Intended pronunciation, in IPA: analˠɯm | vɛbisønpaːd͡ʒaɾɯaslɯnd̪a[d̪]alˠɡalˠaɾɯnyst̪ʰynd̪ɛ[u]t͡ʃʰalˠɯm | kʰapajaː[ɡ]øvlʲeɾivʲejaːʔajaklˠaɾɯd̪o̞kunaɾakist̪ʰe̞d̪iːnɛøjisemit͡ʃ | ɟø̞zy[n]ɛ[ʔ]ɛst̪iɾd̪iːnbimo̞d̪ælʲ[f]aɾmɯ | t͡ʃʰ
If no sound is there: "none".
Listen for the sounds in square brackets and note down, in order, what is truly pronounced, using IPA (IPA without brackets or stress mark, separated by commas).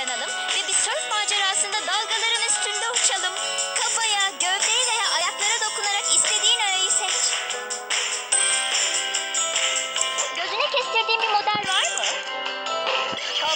d̪, u, ɟ, n, c, v